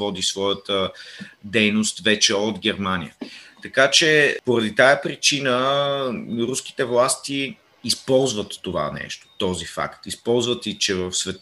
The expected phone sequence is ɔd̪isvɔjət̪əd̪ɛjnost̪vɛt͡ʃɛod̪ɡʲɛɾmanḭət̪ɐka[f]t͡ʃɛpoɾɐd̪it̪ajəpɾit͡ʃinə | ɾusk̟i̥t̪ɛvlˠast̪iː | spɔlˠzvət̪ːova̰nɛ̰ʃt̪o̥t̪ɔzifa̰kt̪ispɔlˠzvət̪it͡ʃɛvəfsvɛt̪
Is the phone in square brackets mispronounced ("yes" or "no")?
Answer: yes